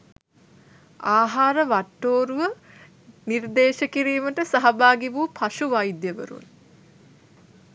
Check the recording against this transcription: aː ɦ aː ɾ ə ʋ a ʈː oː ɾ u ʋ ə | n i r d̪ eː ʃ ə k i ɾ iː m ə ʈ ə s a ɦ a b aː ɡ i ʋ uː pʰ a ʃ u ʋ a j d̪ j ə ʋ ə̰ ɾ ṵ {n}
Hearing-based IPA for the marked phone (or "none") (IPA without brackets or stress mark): n